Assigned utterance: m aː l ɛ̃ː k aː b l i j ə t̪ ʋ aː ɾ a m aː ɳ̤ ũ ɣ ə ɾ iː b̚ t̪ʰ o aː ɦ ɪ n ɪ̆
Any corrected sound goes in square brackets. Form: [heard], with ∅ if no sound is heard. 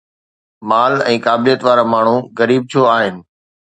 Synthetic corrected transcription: m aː l ɛ̃ː k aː b l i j ə t̪ ʋ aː ɾ a m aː ɳ̤ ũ ɣ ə ɾ iː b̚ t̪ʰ o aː ɦ ɪ n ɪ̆